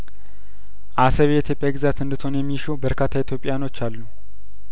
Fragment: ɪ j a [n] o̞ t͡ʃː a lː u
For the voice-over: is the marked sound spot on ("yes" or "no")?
yes